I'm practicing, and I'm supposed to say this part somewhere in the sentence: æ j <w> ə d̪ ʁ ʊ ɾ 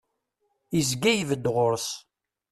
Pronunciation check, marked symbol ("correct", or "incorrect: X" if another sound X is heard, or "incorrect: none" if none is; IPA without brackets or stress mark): incorrect: v